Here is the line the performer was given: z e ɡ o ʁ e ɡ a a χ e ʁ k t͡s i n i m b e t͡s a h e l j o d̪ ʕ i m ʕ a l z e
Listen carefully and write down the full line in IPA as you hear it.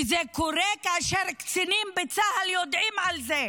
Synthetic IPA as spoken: z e k o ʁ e k a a ʃ e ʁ k t͡s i n i m b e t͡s a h a l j o d̪ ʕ i m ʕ a l z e